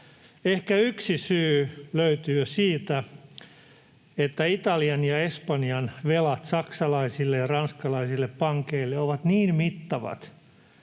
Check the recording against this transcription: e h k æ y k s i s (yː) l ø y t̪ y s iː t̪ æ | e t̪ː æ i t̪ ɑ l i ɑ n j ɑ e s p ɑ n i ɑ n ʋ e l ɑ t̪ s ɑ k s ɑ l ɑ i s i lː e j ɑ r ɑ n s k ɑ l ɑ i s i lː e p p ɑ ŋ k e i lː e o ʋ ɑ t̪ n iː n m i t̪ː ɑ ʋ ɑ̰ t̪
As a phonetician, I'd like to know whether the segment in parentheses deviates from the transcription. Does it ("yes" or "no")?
no